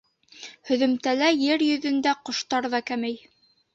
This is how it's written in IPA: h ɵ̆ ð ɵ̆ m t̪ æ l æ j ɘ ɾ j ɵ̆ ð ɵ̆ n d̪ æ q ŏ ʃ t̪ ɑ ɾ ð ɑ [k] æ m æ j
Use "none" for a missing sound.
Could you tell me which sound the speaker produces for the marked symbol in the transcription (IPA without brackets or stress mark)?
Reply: k